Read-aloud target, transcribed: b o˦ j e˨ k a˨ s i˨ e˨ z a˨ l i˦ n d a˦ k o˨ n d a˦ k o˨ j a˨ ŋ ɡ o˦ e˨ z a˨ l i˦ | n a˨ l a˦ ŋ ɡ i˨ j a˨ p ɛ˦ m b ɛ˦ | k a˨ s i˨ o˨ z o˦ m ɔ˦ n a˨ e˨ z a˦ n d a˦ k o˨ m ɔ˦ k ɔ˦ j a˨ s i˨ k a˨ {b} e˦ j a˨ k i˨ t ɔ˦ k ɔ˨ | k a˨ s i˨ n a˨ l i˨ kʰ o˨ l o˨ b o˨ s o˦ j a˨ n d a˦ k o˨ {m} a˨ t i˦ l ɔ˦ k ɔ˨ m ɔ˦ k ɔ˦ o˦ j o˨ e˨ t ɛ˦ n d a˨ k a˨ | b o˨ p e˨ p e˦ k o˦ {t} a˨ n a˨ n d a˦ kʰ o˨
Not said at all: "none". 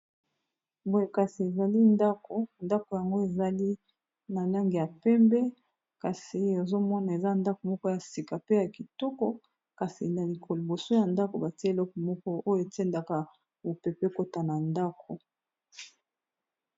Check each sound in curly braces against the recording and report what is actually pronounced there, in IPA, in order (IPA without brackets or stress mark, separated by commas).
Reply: p, b, t